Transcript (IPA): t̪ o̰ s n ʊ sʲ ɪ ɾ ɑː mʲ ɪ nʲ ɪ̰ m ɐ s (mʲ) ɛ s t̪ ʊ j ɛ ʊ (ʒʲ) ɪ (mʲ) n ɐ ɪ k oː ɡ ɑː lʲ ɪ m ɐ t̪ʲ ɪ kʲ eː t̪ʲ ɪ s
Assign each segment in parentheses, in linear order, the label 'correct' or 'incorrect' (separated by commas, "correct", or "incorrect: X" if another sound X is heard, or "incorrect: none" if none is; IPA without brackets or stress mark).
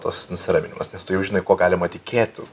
incorrect: nʲ, correct, incorrect: none